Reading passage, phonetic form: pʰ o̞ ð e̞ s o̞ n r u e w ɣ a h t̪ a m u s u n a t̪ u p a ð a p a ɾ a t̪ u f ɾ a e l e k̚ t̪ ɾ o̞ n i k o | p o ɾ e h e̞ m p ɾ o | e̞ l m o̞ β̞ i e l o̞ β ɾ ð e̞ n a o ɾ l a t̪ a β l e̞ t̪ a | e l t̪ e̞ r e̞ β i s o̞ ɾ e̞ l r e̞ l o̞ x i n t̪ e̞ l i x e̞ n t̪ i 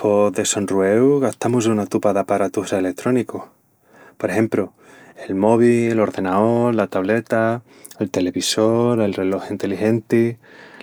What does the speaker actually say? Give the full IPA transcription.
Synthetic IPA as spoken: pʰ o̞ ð e̞ s o̞ n r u e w ɣ a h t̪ a m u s u n a t̪ u p a ð a p a ɾ a t̪ u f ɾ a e l e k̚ t̪ ɾ o̞ n i k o | p o ɾ e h e̞ m p ɾ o | e̞ l m o̞ β̞ i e l o̞ ɾ ð e̞ n a o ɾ l a t̪ a β l e̞ t̪ a | e l t̪ e̞ l e̞ β i s o̞ ɾ e̞ l r e̞ l o̞ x i n t̪ e̞ l i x e̞ n t̪ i